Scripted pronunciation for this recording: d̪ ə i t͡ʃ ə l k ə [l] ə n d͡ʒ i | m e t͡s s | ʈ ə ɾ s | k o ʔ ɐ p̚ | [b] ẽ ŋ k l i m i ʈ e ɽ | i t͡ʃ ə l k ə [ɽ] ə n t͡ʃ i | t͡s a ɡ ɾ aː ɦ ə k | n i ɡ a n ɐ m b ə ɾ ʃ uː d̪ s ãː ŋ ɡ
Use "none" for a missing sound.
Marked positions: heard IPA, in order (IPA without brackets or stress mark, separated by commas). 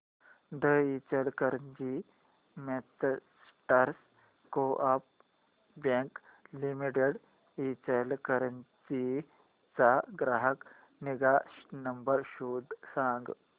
ɾ, b, ɾ